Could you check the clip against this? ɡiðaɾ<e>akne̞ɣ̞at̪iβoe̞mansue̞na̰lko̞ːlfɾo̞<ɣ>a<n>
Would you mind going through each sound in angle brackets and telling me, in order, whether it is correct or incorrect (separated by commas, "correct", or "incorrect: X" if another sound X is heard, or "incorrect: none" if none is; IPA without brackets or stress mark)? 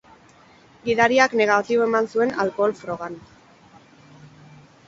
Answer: incorrect: i, correct, correct